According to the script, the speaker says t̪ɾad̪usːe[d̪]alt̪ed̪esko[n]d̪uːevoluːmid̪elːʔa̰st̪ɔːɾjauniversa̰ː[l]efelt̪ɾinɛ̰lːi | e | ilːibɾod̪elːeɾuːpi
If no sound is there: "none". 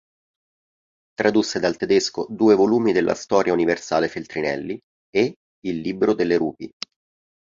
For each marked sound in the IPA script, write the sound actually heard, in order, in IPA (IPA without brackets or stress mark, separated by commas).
d̪, none, l